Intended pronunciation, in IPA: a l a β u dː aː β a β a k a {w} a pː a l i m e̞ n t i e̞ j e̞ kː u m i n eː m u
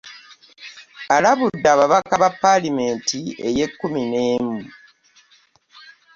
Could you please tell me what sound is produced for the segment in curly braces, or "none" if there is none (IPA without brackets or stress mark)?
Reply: β